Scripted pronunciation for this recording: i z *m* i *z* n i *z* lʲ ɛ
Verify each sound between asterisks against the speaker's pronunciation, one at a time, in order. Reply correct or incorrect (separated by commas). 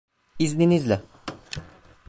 incorrect, incorrect, correct